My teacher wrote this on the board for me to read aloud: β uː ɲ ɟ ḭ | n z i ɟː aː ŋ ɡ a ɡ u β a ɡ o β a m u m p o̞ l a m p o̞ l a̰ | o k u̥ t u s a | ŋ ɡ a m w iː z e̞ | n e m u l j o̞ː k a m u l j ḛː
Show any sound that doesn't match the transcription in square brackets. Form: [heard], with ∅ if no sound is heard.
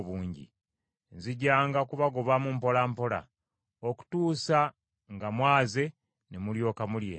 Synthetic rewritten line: β uː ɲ ɟ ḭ | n z i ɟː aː ŋ ɡ a [k] u β a ɡ o β a m u m p o̞ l a m p o̞ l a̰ | o k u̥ t [uː] s a | ŋ ɡ a m w [aː] z e̞ | n e m u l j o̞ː k a m u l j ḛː